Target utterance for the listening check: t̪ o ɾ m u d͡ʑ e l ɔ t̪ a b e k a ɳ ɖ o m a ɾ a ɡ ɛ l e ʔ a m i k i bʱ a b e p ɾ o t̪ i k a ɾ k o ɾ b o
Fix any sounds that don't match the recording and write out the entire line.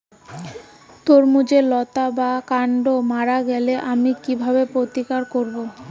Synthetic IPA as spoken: t̪ o ɾ m u d͡ʑ e l ɔ t̪ a b a k a ɳ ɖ o m a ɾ a ɡ ɛ l e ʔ a m i k i bʱ a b e p ɾ o t̪ i k a ɾ k o ɾ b o